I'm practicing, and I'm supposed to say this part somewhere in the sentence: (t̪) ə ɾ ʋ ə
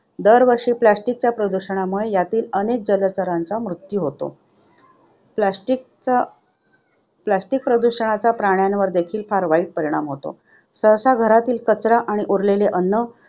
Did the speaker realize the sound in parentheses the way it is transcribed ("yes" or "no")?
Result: no